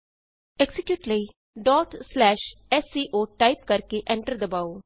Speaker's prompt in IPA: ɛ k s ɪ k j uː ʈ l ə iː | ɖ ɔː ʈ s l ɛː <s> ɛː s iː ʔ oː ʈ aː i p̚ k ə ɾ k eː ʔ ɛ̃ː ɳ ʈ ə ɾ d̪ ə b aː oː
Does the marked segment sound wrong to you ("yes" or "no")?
yes